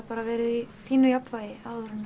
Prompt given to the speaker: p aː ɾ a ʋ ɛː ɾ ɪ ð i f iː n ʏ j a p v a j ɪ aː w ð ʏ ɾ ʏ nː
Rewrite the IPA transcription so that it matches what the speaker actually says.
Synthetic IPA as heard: p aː ɾ a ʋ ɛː ɾ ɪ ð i f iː n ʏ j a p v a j ɪ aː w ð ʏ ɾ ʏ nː